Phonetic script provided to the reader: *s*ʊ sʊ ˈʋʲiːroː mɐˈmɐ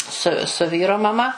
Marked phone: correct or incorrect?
correct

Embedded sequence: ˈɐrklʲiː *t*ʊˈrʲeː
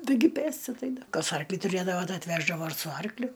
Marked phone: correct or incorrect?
correct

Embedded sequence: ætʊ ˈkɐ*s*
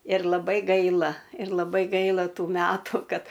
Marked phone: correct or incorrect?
incorrect: t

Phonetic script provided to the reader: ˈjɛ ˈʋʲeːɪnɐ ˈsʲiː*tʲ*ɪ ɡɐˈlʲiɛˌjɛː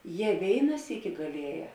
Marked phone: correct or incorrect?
incorrect: kʲ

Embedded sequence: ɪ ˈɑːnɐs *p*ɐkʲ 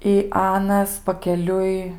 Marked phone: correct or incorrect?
correct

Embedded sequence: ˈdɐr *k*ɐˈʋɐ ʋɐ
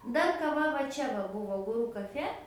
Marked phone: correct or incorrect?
correct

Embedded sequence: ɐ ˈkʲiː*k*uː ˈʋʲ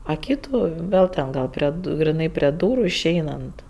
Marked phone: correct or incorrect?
incorrect: t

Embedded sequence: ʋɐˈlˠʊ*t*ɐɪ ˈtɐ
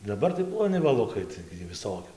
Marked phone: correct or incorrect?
incorrect: k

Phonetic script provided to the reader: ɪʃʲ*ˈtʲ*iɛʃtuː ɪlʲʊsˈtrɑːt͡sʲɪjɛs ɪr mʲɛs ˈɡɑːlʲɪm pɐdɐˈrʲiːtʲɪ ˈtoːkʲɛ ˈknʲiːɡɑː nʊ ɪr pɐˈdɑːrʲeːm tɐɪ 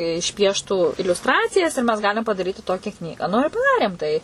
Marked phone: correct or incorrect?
incorrect: pʲ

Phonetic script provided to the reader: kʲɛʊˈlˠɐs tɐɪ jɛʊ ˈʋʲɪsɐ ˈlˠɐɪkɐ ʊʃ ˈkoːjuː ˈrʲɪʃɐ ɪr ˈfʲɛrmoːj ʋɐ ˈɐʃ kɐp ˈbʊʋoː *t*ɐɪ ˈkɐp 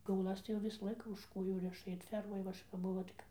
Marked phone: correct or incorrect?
correct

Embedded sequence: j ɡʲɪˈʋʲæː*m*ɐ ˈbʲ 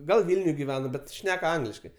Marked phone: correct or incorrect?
incorrect: n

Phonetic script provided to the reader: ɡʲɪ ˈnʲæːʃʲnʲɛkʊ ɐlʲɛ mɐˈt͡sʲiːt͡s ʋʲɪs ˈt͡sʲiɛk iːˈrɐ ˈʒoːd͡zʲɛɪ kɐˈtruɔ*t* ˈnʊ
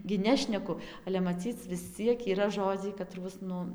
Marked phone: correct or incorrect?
incorrect: s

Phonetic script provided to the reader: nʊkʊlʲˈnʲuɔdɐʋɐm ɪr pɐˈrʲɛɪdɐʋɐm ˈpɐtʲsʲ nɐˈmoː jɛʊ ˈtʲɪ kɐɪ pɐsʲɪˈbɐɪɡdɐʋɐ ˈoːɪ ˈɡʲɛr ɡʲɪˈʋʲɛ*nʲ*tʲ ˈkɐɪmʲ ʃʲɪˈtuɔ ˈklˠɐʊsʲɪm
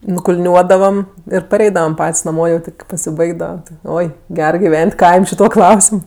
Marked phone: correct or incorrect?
correct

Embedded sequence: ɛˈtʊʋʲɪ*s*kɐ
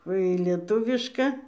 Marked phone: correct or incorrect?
incorrect: ʃ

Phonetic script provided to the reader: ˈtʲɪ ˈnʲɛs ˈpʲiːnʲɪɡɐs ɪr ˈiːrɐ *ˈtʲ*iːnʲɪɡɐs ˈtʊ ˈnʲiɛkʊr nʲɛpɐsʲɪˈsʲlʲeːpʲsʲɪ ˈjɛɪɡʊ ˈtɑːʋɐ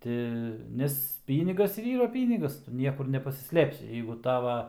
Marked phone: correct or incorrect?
incorrect: pʲ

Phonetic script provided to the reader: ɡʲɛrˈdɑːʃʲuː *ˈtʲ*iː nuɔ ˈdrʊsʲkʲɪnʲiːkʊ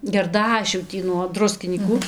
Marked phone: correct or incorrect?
correct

